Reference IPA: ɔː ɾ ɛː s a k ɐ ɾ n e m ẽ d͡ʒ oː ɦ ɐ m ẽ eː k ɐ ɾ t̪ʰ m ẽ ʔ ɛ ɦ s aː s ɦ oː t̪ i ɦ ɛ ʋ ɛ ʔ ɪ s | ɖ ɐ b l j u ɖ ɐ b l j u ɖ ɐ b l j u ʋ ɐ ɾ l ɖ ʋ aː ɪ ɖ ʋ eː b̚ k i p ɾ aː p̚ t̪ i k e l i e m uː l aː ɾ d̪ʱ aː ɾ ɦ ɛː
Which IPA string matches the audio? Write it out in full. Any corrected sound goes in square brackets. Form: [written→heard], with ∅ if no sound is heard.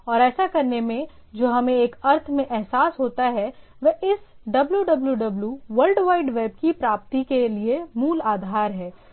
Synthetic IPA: ɔː ɾ ɛː s a k ɐ ɾ n e m ẽ d͡ʒ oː ɦ ɐ m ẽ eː k ɐ ɾ t̪ʰ m ẽ ʔ ɛ ɦ s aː s ɦ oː t̪ [i→a] ɦ ɛ ʋ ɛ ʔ ɪ s | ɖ ɐ b l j u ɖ ɐ b l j u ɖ ɐ b l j u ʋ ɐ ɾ l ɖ ʋ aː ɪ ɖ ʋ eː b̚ k i p ɾ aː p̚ t̪ i k e l i e m uː l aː [ɾ→∅] d̪ʱ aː ɾ ɦ ɛː

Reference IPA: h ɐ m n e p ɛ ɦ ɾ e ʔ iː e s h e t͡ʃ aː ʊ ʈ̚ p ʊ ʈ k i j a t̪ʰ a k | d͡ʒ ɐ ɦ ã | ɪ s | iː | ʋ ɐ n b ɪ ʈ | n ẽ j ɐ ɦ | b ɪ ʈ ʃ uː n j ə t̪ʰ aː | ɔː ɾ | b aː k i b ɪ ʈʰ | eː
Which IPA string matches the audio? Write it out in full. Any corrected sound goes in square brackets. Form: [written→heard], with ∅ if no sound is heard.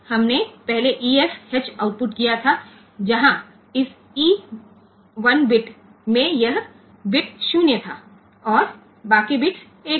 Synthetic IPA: h ɐ m n e p ɛ ɦ [ɾ→l] e ʔ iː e s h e t͡ʃ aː ʊ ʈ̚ p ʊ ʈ k i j a t̪ʰ a [k→∅] | d͡ʒ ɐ ɦ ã | ɪ s | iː | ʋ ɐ n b ɪ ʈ | [n→m] ẽ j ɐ ɦ | b ɪ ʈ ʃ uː n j ə t̪ʰ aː | ɔː ɾ | b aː k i b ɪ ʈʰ | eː

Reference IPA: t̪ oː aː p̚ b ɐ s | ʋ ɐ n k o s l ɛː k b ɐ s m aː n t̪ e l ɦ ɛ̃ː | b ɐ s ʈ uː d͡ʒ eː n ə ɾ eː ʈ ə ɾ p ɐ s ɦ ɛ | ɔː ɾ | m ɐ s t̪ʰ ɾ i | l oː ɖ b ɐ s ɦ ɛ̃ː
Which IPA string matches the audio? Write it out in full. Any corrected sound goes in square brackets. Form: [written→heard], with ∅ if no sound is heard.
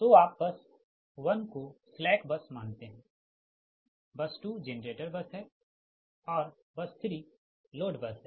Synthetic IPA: t̪ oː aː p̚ b ɐ s | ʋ ɐ n k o s l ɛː k b ɐ s m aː n t̪ e [l→∅] ɦ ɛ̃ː | b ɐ s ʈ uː d͡ʒ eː n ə ɾ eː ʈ ə ɾ [p→b] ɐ s ɦ ɛ | ɔː ɾ | [m→b] ɐ s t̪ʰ ɾ i | l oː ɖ b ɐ s ɦ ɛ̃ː

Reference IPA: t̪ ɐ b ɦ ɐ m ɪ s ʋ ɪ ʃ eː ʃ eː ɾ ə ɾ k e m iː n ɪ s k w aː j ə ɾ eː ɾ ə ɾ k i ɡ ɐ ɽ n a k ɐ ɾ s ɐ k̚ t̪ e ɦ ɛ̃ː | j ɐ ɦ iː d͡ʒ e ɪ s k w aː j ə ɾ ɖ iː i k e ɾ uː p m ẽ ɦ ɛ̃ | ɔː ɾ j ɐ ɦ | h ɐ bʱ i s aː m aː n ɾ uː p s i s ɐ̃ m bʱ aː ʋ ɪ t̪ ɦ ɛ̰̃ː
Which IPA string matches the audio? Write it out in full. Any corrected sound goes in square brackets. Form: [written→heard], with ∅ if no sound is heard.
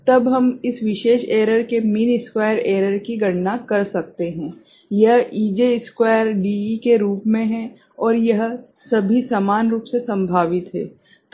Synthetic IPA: t̪ ɐ b ɦ ɐ m ɪ s ʋ ɪ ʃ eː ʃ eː ɾ ə ɾ k e m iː n ɪ s k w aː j ə ɾ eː ɾ ə ɾ k i ɡ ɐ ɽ n a k ɐ ɾ s ɐ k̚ t̪ e ɦ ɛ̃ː | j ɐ ɦ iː d͡ʒ e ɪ s k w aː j ə ɾ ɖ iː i k e ɾ uː p m ẽ ɦ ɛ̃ | ɔː ɾ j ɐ ɦ | [h→s] ɐ bʱ i s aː m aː n ɾ uː p s [i→e] s ɐ̃ m bʱ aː ʋ ɪ t̪ ɦ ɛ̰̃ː

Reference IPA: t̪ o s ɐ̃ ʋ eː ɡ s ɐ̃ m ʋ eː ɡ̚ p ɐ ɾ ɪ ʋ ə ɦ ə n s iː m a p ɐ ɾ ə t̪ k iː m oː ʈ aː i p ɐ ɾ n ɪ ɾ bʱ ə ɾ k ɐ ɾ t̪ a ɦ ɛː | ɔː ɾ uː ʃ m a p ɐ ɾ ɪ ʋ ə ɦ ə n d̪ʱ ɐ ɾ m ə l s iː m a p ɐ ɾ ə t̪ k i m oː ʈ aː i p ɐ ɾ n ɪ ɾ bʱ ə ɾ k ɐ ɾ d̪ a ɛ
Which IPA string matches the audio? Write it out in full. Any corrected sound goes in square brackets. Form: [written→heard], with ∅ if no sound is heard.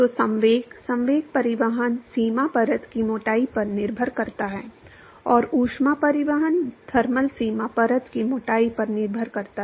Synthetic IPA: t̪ o s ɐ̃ ʋ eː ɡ s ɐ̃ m ʋ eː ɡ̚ p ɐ ɾ ɪ ʋ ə ɦ ə n s iː m a p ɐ ɾ ə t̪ k [iː→i] m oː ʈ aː i p ɐ ɾ n ɪ ɾ bʱ ə ɾ k ɐ ɾ t̪ a ɦ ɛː | ɔː ɾ uː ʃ m a p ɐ ɾ ɪ ʋ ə ɦ ə n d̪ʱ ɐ ɾ m ə l s iː m a p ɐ ɾ ə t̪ k i m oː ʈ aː i p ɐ ɾ n ɪ ɾ bʱ ə ɾ k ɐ ɾ [d̪→t̪] a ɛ

